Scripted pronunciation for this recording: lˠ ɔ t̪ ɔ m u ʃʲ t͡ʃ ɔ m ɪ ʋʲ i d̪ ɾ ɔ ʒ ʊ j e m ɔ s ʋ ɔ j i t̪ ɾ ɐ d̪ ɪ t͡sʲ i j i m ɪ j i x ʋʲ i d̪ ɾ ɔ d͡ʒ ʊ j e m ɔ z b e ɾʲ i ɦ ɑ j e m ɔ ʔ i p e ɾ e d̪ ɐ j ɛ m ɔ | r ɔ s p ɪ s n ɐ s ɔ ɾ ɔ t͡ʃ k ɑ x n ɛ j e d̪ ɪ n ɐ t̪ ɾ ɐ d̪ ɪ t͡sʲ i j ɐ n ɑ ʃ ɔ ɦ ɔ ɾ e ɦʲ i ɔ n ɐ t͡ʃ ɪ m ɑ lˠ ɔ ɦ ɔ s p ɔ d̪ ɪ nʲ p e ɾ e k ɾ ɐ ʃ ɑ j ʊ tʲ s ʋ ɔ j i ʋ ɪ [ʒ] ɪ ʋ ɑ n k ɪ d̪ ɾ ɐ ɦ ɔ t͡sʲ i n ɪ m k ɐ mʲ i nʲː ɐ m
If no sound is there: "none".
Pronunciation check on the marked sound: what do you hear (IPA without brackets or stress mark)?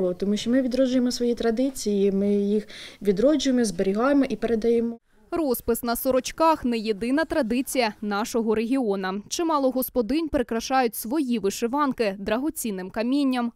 ʃ